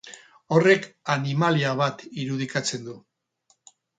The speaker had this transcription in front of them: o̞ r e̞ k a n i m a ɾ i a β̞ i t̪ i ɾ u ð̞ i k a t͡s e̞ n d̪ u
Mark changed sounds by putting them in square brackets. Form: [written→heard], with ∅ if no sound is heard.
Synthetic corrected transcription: o̞ r e̞ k a n i m a [ɾ→l] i a β̞ [i→a] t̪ i ɾ u ð̞ i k a t͡s e̞ n d̪ u